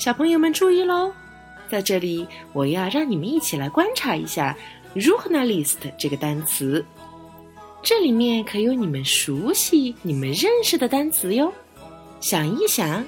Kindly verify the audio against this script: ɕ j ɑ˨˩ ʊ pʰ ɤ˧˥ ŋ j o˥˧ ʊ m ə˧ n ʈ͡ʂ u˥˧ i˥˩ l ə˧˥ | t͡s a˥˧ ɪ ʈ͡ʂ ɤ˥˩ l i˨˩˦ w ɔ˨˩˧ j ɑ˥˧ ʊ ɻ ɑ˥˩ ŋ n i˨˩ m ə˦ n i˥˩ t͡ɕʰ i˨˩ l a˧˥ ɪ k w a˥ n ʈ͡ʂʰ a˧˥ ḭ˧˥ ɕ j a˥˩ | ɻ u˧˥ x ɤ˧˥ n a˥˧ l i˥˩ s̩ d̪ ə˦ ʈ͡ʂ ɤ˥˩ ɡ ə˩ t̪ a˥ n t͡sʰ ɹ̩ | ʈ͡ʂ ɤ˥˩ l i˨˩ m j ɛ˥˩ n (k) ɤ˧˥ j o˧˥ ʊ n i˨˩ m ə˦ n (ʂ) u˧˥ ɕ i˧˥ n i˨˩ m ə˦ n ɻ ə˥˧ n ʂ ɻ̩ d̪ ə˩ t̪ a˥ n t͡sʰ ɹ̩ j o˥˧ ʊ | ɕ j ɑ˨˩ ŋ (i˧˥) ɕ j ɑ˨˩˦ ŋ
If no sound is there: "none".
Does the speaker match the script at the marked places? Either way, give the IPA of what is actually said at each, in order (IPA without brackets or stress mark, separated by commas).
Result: kʰ, ʂ, i˥˩